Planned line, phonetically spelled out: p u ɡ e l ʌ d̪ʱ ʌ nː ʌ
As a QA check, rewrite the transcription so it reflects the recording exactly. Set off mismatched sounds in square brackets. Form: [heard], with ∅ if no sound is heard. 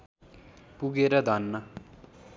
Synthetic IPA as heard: p u ɡ e [ɾ] ʌ d̪ʱ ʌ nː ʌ

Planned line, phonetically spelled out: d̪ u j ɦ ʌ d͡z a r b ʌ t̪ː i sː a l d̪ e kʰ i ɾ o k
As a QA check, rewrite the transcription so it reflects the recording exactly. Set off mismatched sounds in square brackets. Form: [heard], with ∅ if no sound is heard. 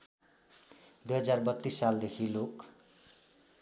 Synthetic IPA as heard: d̪ u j ɦ ʌ d͡z a r b ʌ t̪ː i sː a l d̪ e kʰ i [l] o k

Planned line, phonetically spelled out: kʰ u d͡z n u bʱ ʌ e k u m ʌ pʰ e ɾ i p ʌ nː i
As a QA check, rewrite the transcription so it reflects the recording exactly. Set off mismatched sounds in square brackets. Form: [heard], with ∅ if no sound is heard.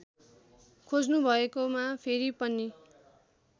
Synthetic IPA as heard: kʰ [o] d͡z n u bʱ ʌ e k [o] m [a] pʰ e ɾ i p ʌ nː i

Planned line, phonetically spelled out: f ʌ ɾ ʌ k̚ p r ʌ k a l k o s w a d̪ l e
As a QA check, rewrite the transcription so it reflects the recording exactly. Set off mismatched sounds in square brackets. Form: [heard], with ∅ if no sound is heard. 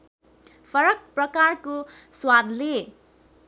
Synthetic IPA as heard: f ʌ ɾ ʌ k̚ p r ʌ k a [r] k o s w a d̪ l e

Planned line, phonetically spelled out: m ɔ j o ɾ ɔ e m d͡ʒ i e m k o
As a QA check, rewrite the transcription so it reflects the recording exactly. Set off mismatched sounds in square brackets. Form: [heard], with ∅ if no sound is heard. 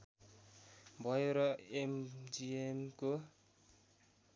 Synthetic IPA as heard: [b] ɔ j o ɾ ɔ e m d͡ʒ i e m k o

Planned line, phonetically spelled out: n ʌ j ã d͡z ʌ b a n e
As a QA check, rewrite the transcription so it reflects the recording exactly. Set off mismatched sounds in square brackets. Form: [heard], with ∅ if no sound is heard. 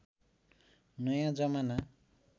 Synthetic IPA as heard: n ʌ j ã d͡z ʌ [m] a n [a]

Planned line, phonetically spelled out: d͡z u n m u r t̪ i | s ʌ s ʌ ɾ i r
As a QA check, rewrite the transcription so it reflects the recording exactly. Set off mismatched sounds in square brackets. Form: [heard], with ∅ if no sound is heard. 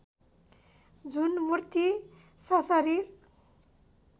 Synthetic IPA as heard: d͡z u n m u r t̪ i | s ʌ s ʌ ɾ i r

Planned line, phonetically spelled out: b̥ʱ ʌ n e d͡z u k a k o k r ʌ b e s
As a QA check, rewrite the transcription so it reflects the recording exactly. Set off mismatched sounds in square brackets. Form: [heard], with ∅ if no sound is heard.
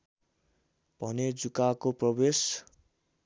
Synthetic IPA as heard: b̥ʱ ʌ n e d͡z u k a k o [p] r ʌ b e s

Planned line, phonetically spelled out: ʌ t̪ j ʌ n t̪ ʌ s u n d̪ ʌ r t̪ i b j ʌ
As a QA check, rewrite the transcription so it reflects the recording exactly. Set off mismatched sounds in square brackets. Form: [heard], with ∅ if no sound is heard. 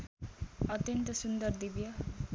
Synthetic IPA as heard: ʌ t̪ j ʌ n t̪ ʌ s u n d̪ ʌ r [d̪] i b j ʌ

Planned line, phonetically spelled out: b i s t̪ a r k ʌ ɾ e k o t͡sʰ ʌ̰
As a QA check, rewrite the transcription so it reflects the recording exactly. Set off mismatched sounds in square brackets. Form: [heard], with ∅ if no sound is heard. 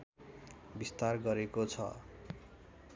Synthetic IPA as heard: b i s t̪ a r [ɡ] ʌ ɾ e k o t͡sʰ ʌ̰

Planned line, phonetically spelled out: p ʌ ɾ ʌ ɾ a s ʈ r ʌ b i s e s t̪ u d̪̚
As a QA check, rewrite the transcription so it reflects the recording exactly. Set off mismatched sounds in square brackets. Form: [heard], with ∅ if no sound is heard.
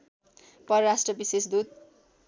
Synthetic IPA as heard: p ʌ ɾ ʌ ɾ a s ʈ r ʌ b i s e s [d̪] u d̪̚

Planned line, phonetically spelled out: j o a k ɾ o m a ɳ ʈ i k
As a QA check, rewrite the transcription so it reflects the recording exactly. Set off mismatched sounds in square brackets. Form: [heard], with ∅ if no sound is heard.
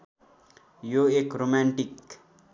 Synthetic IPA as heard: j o [e] k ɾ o m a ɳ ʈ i k

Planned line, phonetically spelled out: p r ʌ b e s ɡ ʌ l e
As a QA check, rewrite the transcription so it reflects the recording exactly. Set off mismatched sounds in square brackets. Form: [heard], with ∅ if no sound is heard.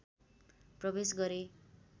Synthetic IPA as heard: p r ʌ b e s ɡ ʌ [ɾ] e

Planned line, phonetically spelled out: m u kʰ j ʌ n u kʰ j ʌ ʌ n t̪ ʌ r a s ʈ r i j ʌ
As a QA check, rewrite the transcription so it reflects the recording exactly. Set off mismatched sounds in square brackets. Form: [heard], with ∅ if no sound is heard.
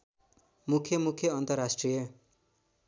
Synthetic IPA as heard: m u kʰ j ʌ [m] u kʰ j ʌ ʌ n t̪ ʌ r a s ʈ r i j ʌ

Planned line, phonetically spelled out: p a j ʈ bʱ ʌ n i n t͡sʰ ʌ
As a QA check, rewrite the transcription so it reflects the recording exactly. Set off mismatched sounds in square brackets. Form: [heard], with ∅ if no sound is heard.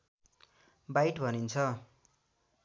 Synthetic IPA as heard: [b] a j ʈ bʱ ʌ n i n t͡sʰ ʌ

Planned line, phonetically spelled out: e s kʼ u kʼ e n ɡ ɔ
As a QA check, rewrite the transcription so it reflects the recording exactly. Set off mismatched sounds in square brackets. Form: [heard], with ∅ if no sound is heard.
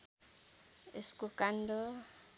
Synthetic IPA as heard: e s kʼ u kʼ [a] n [d] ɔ

